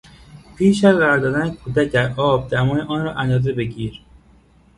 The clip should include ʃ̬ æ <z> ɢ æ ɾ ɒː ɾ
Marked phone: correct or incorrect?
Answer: correct